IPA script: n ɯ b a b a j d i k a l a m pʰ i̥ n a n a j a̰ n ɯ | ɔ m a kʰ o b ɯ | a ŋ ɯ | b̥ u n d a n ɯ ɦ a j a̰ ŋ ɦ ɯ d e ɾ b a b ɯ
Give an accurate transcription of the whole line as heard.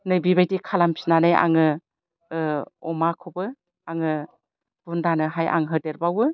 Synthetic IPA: n ɯ b i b a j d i kʰ a l a m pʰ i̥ n a n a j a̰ ŋ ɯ | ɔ m a kʰ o b ɯ | a ŋ ɯ | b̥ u n d a n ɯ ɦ a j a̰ ŋ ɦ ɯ d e ɾ b a w ɯ